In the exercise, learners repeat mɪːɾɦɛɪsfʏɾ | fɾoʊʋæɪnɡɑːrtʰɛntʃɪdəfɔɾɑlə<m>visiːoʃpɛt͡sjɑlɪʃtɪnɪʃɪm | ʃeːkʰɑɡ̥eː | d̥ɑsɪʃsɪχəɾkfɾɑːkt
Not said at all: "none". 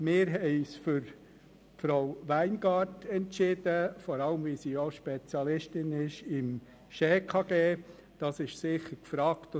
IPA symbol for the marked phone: m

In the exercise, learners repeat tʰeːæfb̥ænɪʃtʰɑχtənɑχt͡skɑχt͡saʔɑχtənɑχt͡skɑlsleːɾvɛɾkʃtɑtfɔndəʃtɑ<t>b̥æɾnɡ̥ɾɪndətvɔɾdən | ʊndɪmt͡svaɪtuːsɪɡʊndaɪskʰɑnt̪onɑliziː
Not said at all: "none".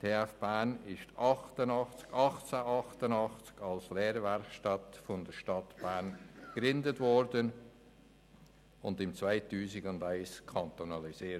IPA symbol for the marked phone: t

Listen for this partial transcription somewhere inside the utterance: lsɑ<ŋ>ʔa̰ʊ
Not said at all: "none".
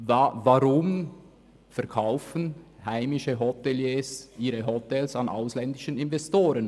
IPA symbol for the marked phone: n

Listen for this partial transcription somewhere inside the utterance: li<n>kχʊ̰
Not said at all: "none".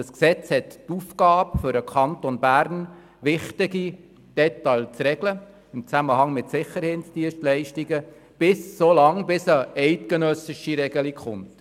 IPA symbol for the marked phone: none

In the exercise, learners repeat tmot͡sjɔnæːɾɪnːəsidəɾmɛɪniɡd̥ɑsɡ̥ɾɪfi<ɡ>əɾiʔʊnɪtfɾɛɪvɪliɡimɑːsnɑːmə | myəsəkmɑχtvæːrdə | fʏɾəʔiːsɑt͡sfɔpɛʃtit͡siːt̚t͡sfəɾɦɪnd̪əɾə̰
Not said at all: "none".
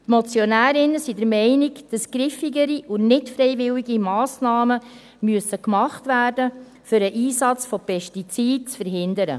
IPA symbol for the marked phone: ɡ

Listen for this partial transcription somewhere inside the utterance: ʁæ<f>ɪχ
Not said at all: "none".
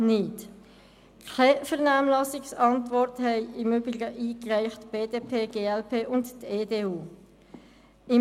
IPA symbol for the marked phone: none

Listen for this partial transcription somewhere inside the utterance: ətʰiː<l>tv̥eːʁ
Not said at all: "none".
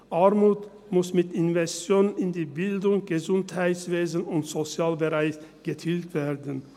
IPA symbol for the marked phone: l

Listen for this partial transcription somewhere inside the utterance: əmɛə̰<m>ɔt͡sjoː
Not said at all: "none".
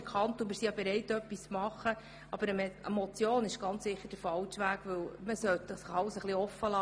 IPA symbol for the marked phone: m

